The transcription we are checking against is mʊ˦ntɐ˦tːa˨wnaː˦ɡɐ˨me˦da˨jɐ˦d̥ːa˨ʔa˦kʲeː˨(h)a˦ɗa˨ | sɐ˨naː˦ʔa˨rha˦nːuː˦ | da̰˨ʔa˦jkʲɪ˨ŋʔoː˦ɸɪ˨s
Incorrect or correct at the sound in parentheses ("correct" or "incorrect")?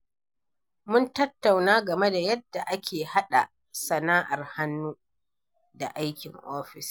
correct